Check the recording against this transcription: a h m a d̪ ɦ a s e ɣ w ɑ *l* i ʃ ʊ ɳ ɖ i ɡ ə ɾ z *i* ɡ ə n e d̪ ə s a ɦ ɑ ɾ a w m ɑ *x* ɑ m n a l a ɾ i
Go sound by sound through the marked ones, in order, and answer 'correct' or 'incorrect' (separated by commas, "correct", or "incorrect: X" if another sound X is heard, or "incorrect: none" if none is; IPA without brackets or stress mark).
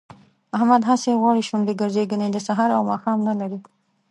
incorrect: ɽ, incorrect: e, correct